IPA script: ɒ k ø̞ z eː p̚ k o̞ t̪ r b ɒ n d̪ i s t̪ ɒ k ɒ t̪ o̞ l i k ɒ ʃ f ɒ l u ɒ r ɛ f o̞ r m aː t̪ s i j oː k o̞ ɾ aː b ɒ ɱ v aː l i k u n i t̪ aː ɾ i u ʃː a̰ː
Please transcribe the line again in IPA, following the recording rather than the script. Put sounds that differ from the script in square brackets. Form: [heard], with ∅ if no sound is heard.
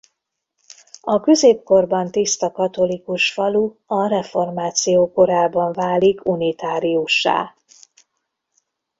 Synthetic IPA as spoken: ɒ k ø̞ z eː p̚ k o̞ [∅] r b ɒ n [t̪] i s t̪ ɒ k ɒ t̪ o̞ l i k [u] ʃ f ɒ l u ɒ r ɛ f o̞ r m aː t̪ s i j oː k o̞ ɾ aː b ɒ ɱ v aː l i k u n i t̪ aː ɾ i u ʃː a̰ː